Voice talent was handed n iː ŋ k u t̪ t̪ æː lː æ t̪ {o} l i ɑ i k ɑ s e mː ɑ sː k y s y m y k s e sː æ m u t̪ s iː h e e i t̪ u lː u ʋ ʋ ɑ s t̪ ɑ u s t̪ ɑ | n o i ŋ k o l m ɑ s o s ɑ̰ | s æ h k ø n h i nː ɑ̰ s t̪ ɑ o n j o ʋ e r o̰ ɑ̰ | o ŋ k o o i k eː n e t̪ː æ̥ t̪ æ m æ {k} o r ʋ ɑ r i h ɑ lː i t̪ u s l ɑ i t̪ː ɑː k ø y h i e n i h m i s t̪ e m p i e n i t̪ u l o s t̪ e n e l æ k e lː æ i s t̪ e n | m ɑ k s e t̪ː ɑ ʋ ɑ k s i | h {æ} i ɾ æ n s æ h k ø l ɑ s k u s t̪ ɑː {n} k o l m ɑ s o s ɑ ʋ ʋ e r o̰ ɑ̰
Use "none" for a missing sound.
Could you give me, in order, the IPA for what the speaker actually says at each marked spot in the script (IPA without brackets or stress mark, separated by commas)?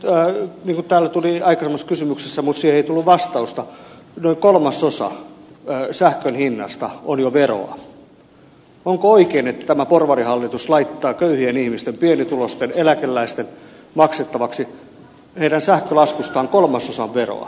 u, p, e, ŋ